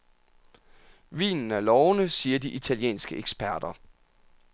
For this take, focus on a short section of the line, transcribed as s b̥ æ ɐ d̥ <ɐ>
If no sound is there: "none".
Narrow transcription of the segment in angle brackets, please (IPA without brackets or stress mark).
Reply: ɐ